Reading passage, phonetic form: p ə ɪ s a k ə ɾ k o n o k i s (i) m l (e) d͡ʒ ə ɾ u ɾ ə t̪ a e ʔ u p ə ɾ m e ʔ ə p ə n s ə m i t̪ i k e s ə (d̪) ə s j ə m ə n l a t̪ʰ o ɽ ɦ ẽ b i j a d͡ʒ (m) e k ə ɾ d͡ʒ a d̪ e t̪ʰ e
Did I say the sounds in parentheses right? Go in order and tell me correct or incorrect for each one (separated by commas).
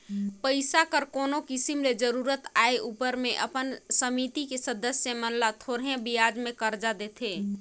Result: correct, correct, correct, correct